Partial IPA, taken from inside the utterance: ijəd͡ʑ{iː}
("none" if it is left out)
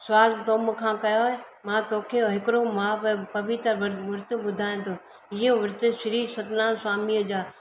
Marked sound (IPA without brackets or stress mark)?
aː